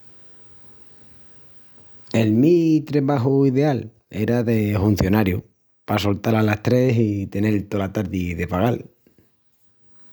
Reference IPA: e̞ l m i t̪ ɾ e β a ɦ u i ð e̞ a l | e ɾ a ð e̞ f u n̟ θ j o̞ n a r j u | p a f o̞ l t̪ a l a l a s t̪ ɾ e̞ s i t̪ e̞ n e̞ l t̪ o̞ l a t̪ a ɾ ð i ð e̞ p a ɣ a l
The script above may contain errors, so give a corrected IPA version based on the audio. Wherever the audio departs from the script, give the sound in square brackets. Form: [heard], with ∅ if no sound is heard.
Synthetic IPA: e̞ l m i t̪ ɾ e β a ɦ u i ð e̞ a l | e ɾ a ð e̞ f u n̟ θ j o̞ n a [ɾ] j u | p a [s] o̞ l t̪ a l a l a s t̪ ɾ e̞ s i t̪ e̞ n e̞ l t̪ o̞ l a t̪ a ɾ ð i ð e̞ p a ɣ a l

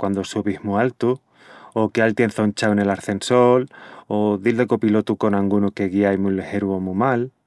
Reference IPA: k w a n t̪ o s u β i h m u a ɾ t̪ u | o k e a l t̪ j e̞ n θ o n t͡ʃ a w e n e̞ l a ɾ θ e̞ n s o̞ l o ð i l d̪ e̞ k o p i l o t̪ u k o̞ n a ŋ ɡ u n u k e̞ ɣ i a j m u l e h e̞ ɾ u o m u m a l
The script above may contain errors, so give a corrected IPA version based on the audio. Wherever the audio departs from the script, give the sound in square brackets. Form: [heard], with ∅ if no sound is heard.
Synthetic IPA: k w a n [d̪] o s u β i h m u a [l] t̪ u | o k e a l t̪ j e̞ n θ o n t͡ʃ a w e n e̞ l a ɾ θ e̞ n s o̞ l o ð i l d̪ e̞ k o p i l o t̪ u k o̞ n a ŋ ɡ u n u k e̞ ɣ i a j m u l e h e̞ ɾ u o m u m a l

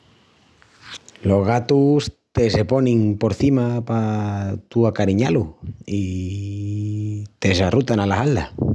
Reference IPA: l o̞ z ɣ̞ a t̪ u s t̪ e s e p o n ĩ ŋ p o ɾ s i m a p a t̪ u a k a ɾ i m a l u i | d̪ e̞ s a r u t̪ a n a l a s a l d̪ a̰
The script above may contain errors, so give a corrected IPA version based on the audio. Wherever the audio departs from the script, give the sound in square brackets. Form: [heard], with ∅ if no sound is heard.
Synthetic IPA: l o̞ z ɣ̞ a t̪ u s t̪ e s e p o n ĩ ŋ p o ɾ [θ] i m a p a t̪ u a k a ɾ i [ɲ] a l u i | [t̪] e̞ s a r u t̪ a n a l a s a l d̪ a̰

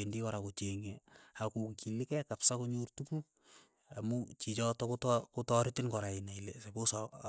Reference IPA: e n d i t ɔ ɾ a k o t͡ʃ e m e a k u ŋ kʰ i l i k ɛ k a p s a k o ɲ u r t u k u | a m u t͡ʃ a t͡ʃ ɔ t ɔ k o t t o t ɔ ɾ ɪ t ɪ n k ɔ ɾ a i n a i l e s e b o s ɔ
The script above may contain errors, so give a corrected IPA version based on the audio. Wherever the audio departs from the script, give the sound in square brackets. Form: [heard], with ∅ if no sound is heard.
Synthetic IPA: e n d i [k] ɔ ɾ a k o t͡ʃ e [ŋ] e a k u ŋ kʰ i l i k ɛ k a p s a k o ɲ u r t u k u | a m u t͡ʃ [i] t͡ʃ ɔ t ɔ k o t [k] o t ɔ ɾ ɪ t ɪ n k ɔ ɾ a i n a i l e s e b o s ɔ

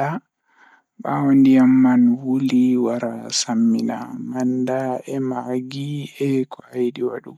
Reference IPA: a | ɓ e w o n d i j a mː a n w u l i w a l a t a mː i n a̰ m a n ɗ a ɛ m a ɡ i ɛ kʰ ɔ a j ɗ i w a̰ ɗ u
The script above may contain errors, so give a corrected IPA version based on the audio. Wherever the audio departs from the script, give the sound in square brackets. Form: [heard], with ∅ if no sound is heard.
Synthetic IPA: a | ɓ [a] w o n d i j a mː a n w u l i w a [ɾ] a [s] a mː i n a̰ m a n [d] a ɛ m a ɡ i ɛ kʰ ɔ a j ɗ i w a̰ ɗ u

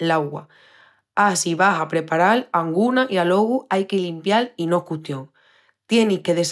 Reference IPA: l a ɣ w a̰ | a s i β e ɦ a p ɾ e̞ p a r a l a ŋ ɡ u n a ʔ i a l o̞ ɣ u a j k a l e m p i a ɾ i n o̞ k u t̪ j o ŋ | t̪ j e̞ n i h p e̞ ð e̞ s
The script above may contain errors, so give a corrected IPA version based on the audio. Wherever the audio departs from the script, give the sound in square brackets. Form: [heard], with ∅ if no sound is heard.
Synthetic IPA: l a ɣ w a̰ | a s i β [a] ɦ a p ɾ e̞ p a [ɾ] a l a ŋ ɡ u n a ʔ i a l o̞ ɣ u a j k [e] l [i] m p [j] a [l] i n o̞ k u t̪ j o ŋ | t̪ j e̞ n i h [k] e̞ ð e̞ s

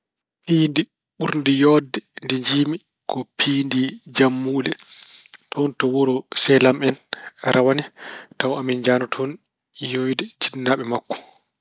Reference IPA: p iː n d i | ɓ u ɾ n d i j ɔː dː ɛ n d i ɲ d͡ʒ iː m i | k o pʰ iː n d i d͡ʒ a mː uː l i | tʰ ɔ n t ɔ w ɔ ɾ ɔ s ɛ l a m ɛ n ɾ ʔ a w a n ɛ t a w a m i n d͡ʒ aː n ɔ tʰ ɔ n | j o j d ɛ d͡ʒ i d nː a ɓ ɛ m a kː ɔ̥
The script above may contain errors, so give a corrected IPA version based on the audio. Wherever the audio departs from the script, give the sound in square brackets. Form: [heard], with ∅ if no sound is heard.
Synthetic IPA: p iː n d i | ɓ u ɾ n d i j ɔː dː ɛ n d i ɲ d͡ʒ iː m i | k [ɔ] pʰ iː n d i d͡ʒ a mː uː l [ɛ] | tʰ ɔ n t ɔ w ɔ ɾ ɔ s ɛ l a m ɛ n ɾ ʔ a w a n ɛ t a w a m i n d͡ʒ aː n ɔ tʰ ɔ n | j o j d ɛ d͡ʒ i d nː a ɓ ɛ m a kː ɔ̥

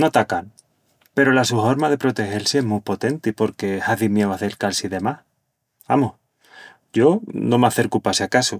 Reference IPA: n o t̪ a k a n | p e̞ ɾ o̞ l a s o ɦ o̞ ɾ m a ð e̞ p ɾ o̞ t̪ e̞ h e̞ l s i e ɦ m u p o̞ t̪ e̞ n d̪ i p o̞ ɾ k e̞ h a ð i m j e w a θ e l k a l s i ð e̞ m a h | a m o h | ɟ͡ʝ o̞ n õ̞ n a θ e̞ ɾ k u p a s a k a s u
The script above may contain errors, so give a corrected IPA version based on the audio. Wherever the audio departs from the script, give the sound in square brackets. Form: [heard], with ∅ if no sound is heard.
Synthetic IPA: n o t̪ a k a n | p e̞ ɾ o̞ l a s [u] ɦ o̞ ɾ m a ð e̞ p ɾ o̞ t̪ e̞ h e̞ l s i e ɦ m u p o̞ t̪ e̞ n [t̪] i p o̞ ɾ k e̞ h a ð i m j e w a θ e l k a l s i ð e̞ m a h | a m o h | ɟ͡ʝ o̞ n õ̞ [m] a θ e̞ ɾ k u p a s a k a s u

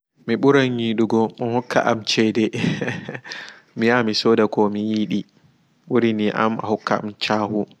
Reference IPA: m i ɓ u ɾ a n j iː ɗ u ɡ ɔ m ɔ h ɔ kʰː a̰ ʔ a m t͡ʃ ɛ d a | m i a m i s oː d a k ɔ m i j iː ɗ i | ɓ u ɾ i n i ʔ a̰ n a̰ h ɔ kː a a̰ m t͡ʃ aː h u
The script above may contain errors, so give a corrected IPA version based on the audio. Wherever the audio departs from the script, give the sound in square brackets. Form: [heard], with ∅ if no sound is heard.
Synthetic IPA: m i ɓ u ɾ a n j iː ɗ u ɡ ɔ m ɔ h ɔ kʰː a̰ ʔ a m t͡ʃ ɛ d [ɛ] | m i a m i s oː d a k ɔ m i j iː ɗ i | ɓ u ɾ i n i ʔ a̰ [m] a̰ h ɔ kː a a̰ m t͡ʃ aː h u

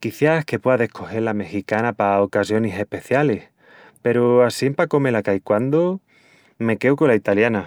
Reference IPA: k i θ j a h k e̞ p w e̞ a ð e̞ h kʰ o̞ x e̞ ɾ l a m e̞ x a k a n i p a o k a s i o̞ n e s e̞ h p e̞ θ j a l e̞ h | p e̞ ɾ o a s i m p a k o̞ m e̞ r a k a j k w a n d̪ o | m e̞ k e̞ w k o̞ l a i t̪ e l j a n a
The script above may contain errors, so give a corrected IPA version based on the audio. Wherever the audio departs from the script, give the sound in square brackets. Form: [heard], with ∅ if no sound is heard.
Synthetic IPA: k i θ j a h k e̞ p w e̞ a ð e̞ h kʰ o̞ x e̞ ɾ l a m e̞ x [i] k a n [a] p a o k a s [j] o̞ n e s e̞ h p e̞ θ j a l e̞ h | p e̞ ɾ o a s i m p a k o̞ m e̞ [l] a k a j k w a n d̪ o | m e̞ k e̞ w k o̞ l a i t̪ [a] l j a n a

